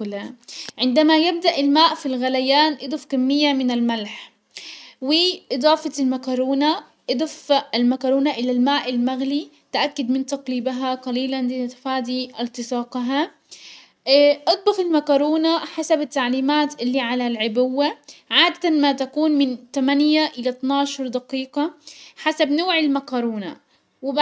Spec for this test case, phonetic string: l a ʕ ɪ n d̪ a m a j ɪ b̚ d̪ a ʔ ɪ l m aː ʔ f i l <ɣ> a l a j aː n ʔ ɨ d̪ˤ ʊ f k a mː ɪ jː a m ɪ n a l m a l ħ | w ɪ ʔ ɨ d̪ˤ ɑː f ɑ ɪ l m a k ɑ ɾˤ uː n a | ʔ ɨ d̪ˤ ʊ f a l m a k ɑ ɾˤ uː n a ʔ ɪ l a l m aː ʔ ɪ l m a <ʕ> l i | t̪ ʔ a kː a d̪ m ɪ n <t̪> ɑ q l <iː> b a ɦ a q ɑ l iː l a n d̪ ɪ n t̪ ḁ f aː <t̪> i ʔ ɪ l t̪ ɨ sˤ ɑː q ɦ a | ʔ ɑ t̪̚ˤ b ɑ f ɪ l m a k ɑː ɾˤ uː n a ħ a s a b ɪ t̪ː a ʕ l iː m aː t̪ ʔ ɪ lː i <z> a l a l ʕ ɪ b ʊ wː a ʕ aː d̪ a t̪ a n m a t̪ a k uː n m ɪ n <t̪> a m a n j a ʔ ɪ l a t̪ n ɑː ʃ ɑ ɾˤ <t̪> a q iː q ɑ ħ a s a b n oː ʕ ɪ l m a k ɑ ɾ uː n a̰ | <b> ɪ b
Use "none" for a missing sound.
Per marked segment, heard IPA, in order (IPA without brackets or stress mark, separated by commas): ɣ, ɣ, t̪, iː, d̪, ʕ, t̪, d̪, w